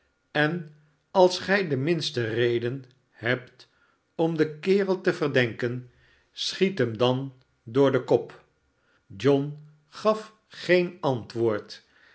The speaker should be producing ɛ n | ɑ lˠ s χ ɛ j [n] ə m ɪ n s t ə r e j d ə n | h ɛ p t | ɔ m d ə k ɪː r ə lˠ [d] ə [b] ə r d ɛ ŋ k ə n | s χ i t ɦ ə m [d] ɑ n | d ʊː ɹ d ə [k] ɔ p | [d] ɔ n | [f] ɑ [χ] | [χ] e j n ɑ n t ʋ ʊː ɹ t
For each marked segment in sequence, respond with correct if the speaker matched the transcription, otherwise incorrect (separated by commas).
incorrect, incorrect, incorrect, correct, correct, incorrect, incorrect, incorrect, correct